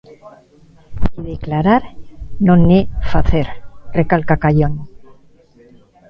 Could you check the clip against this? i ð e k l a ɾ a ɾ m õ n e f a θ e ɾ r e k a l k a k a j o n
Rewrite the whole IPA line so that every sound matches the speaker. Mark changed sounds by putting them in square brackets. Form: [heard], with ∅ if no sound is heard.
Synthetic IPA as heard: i ð e k l a ɾ a ɾ [n] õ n e f a θ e ɾ r e k a l k a k a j o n